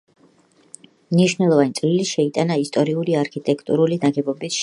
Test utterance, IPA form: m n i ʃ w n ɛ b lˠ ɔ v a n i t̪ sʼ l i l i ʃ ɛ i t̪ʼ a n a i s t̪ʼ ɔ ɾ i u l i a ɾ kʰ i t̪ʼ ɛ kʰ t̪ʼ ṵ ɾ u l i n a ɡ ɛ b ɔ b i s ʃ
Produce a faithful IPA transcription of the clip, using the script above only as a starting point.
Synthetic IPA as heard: m n i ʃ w n ɛ lˠ ɔ v a n i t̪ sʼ l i l i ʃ ɛ i t̪ʼ a n a i s t̪ʼ ɔ ɾ i u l i a ɾ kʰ i t̪ʼ ɛ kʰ t̪ʼ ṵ ɾ u l i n a ɡ ɛ b ɔ b i s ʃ